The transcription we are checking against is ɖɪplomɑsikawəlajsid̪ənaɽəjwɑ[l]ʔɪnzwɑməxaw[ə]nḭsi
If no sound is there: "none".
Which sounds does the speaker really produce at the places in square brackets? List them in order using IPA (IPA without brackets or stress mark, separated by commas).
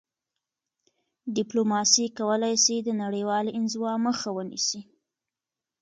l, ə